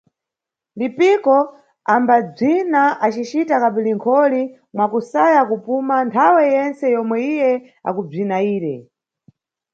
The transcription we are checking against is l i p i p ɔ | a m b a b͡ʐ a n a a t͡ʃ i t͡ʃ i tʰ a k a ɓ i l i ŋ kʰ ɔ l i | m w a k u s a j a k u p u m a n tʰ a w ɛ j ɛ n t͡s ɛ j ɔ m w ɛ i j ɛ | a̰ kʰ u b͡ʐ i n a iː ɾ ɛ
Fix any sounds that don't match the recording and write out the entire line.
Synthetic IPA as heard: l i p i k ɔ | a m b a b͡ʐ i n a a t͡ʃ i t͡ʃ i t a k a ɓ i l i ŋ kʰ ɔ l i | m w a k u s a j a k u p u m a n tʰ a w ɛ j ɛ n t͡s ɛ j ɔ m w ɛ i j ɛ | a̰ k u b͡ʐ i n a iː ɾ ɛ